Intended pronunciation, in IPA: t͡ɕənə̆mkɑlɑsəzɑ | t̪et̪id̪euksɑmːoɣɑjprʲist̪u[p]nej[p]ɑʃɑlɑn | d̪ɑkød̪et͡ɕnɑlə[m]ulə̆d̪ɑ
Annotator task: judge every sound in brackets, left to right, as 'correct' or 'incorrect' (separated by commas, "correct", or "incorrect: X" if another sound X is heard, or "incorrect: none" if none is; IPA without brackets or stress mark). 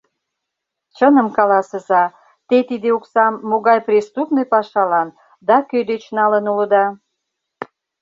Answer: correct, correct, incorrect: n